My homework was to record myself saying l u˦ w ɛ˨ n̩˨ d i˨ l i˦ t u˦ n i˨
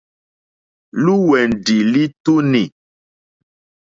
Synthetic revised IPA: l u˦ w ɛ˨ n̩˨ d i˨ l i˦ t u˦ n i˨